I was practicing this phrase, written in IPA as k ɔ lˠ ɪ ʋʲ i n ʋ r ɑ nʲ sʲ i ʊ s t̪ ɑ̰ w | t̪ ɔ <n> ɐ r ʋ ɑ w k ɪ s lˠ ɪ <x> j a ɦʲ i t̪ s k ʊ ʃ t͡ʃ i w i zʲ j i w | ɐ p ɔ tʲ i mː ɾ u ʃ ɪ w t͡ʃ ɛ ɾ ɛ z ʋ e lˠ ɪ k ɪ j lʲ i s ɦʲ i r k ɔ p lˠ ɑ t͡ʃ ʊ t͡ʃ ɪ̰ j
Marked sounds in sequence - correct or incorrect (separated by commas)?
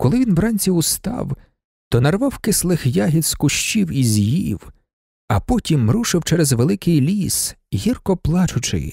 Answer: correct, correct